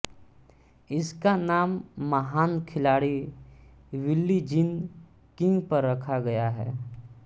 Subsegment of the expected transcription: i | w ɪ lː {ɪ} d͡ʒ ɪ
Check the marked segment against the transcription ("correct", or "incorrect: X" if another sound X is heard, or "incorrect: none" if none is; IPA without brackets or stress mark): incorrect: i